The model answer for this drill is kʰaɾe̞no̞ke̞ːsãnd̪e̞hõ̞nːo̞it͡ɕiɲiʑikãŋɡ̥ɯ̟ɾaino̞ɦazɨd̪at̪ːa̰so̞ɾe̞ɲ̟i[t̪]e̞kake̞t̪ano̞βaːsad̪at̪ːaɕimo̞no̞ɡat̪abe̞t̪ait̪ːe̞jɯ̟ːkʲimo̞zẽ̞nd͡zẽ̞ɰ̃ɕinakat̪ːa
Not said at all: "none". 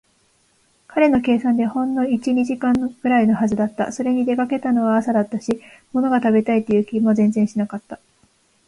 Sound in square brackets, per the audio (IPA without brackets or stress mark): d̪